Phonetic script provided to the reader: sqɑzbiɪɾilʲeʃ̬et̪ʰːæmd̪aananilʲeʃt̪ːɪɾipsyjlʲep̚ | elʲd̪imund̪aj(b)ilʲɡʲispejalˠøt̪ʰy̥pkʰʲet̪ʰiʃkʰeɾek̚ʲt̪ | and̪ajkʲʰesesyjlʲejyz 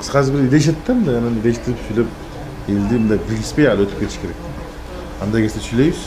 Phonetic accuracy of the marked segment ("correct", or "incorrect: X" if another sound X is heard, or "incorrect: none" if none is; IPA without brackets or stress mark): correct